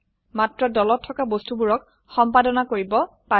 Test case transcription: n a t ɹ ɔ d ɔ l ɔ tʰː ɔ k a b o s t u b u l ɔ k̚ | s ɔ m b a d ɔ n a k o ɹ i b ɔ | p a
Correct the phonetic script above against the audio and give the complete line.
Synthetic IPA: m a t ɹ ɔ d ɔ l ɔ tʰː ɔ k a b o s t u b u ɹ ɔ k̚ | x ɔ m p a d ɔ n a k o ɹ i b ɔ | p a